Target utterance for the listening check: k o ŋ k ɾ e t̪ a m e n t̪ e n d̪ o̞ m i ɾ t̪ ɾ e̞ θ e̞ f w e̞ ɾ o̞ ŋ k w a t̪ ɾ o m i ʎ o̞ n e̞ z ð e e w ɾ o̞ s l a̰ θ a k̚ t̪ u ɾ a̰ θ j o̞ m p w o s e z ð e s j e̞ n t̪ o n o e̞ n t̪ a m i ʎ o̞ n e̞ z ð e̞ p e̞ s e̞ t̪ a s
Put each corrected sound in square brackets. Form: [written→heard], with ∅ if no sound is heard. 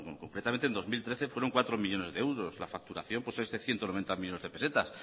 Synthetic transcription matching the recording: k o ŋ k ɾ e t̪ a m e n t̪ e n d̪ o̞ m i [ɾ→l] t̪ ɾ e̞ θ e̞ f w e̞ ɾ o̞ ŋ k w a t̪ ɾ o m i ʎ o̞ n e̞ z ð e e w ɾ o̞ s l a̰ [θ→f] a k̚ t̪ u ɾ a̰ θ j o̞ m p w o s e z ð e [s→θ] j e̞ n t̪ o n o e̞ n t̪ a m i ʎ o̞ n e̞ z ð e̞ p e̞ s e̞ t̪ a s